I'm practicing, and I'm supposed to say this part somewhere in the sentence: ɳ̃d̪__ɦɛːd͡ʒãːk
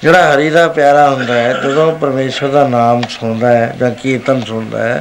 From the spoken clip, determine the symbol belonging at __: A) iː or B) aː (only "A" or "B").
B